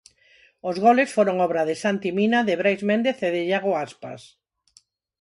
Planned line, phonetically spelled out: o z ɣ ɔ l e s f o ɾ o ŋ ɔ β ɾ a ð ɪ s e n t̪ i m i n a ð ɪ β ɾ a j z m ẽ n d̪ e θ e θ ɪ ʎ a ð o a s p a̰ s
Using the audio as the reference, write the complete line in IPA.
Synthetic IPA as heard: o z ɣ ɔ l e s f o ɾ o ŋ ɔ β ɾ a ð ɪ s a n t̪ i m i n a ð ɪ β ɾ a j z m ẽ n d̪ e θ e ð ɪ ʎ a ɣ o a s p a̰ s